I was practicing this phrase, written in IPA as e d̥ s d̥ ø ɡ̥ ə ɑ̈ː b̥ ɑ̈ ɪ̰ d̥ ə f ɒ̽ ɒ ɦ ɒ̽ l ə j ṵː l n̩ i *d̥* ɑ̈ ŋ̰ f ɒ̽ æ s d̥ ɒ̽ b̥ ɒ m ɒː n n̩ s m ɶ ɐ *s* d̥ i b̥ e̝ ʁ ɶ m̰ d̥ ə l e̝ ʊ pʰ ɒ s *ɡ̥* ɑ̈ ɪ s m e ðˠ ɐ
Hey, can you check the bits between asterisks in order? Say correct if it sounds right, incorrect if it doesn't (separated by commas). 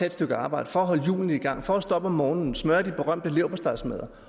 incorrect, incorrect, incorrect